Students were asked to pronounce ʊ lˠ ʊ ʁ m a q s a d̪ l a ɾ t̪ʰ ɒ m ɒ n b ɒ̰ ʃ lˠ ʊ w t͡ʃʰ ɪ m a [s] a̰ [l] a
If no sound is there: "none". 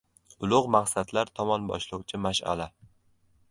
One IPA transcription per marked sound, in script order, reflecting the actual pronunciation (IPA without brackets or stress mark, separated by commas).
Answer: ʃ, l